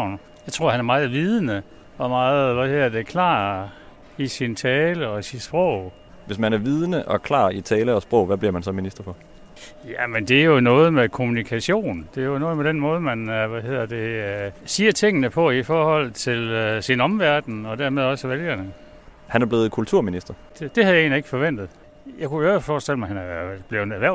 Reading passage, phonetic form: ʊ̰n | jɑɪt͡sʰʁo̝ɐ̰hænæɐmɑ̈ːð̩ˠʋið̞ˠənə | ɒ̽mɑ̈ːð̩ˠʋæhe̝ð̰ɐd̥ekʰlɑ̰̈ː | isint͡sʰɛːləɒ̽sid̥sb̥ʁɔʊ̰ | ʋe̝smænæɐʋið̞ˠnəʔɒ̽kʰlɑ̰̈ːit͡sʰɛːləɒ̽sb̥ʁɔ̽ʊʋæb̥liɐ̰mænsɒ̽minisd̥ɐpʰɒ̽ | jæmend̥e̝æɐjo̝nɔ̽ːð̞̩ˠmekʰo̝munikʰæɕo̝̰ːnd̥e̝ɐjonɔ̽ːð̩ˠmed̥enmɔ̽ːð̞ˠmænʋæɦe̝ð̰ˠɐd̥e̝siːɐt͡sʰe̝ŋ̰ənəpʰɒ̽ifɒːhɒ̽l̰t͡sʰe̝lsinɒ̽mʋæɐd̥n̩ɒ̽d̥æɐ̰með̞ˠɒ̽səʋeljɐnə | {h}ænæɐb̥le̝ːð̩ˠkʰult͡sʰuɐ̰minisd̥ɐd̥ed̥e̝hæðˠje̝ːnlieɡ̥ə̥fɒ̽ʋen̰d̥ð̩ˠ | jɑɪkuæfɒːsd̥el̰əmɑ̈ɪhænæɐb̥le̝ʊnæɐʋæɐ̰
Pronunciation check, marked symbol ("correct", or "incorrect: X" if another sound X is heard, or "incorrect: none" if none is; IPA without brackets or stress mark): correct